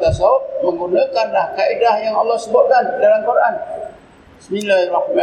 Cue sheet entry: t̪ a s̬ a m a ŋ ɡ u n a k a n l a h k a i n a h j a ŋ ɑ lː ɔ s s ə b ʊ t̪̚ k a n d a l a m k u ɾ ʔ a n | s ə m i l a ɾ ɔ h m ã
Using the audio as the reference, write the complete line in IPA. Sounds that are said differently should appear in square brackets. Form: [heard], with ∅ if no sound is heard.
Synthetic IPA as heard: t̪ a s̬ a m [ə] ŋ ɡ u n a k a n l a h k a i [d] a h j a ŋ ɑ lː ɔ [h] s ə b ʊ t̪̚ k a n d a l a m k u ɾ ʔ a n | s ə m i l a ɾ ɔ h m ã